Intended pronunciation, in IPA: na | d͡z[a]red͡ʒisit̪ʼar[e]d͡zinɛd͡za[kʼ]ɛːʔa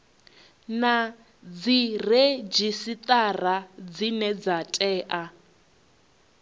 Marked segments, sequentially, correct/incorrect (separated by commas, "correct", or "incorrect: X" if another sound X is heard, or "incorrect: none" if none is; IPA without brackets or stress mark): incorrect: i, incorrect: a, incorrect: tʼ